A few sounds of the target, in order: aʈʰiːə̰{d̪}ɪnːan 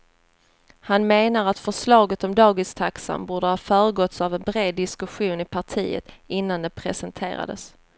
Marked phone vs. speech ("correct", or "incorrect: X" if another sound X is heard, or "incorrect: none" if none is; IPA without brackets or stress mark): incorrect: t̪